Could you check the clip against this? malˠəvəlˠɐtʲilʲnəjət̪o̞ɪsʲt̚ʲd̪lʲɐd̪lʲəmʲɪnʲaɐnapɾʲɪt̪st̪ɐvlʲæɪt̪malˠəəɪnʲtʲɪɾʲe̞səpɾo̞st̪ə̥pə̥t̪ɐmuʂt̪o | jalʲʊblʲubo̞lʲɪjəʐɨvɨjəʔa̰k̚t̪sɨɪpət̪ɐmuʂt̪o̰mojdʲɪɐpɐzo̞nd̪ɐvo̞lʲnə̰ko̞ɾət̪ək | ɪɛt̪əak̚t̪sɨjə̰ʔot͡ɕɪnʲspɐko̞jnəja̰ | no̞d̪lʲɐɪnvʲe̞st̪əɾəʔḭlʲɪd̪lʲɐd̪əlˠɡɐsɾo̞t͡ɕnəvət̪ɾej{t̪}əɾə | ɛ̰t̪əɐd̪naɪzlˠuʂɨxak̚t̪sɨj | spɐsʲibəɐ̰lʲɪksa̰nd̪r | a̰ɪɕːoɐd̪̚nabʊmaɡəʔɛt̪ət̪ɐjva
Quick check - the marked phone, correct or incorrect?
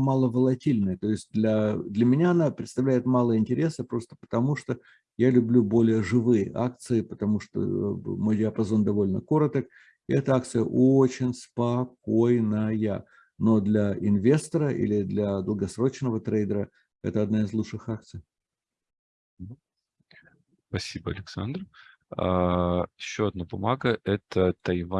incorrect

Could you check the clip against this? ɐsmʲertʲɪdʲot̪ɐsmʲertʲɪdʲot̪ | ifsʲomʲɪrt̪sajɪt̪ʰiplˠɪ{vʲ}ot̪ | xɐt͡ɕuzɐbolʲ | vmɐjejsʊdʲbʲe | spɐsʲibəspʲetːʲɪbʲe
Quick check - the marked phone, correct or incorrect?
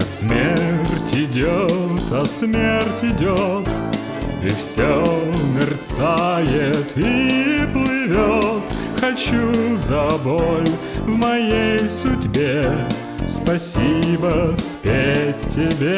correct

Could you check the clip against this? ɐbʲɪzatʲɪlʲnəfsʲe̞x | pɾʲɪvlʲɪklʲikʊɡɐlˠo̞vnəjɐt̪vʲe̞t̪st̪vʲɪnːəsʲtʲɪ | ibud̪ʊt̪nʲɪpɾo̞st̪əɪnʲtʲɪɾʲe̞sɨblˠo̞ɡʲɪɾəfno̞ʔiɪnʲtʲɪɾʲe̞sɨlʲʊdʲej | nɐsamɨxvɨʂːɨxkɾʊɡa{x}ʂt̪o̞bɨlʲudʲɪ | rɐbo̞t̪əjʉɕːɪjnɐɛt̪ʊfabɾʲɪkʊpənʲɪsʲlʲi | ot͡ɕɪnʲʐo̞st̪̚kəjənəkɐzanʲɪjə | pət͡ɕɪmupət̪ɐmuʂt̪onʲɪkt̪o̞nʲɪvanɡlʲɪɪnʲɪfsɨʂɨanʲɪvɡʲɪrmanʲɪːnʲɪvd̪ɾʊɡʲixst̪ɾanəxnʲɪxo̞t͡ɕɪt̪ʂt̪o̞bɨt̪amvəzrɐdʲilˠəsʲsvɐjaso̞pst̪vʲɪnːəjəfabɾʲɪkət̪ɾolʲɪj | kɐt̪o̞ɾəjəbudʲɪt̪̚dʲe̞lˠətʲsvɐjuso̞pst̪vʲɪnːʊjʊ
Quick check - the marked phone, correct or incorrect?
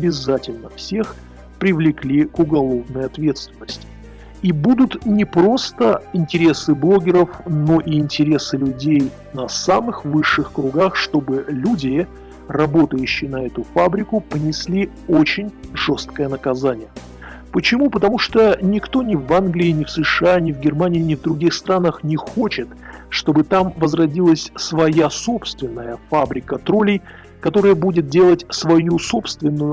correct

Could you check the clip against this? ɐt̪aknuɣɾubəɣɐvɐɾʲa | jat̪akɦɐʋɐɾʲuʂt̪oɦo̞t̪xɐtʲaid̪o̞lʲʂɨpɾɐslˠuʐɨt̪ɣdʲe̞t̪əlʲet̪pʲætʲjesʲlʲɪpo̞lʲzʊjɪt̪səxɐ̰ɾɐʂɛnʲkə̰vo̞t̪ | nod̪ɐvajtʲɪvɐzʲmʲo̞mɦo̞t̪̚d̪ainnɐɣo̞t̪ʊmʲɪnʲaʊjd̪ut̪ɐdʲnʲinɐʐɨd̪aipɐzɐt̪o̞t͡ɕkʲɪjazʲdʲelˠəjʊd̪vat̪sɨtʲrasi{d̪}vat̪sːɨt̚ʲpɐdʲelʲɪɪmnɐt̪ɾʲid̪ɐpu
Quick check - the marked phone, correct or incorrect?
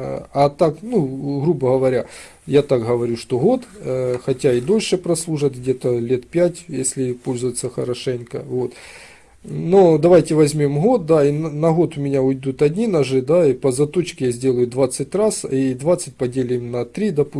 correct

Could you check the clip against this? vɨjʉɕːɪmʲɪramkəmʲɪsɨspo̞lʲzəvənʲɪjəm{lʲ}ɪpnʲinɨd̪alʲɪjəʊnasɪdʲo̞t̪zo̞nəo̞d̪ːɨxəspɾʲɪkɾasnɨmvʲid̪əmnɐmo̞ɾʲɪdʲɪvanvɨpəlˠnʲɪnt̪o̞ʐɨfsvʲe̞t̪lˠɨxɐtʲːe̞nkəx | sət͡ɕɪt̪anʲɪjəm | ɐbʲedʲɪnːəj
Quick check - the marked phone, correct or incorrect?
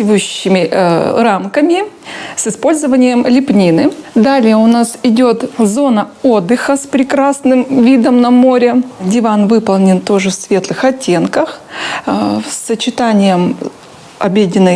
correct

